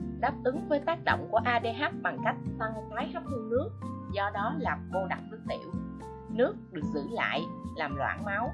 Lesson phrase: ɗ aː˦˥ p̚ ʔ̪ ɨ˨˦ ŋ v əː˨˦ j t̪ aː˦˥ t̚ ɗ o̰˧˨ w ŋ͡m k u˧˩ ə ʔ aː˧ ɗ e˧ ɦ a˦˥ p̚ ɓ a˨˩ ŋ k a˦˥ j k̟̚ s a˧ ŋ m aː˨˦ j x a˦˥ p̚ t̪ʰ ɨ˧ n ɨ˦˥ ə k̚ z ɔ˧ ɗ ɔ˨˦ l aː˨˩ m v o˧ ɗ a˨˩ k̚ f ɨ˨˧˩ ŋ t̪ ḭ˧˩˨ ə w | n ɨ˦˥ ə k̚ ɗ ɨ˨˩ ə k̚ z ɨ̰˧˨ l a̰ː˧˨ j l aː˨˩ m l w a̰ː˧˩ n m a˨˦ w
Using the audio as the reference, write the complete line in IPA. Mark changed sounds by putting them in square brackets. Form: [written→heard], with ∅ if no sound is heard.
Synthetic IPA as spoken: ɗ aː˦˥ p̚ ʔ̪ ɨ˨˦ ŋ v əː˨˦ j t̪ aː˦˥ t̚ ɗ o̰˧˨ w ŋ͡m k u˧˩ ə ʔ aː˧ ɗ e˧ ɦ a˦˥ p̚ ɓ a˨˩ ŋ k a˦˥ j k̟̚ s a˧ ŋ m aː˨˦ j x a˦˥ p̚ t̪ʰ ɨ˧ n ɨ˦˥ ə k̚ z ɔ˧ ɗ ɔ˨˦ l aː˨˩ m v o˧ ɗ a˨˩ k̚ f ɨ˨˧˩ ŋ t̪ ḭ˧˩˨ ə w | n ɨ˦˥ ə k̚ ɗ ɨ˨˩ ə k̚ z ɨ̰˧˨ l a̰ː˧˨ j l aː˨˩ m l w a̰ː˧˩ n m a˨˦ w